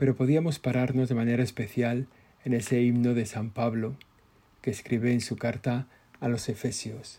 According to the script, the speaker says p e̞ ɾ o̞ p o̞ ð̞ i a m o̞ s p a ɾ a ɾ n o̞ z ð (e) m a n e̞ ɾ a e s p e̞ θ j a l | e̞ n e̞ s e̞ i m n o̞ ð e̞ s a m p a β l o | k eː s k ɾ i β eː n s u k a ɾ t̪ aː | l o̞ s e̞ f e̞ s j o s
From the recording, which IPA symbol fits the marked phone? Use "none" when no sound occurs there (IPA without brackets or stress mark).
e